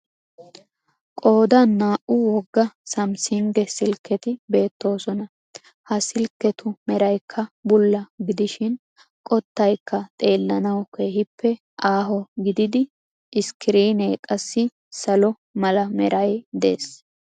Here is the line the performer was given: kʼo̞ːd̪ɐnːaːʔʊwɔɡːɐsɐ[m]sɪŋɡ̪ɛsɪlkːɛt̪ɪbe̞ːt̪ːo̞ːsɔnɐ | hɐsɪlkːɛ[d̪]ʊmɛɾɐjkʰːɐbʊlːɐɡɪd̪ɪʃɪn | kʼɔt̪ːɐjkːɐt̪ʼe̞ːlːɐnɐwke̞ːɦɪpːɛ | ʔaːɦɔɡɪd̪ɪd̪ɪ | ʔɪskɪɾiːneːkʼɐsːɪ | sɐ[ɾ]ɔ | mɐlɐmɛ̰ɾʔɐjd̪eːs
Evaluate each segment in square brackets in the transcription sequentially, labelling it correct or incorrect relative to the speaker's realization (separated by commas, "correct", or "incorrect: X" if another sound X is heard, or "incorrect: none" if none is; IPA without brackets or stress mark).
correct, incorrect: t̪, incorrect: l